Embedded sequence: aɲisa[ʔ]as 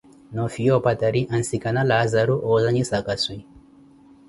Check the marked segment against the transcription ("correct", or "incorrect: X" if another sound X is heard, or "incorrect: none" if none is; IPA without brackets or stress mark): incorrect: k